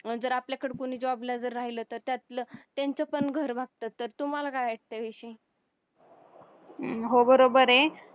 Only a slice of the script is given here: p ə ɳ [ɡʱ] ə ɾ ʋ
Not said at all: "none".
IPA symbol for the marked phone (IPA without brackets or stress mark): ɡʱ